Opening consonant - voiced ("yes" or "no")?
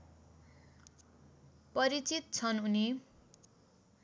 no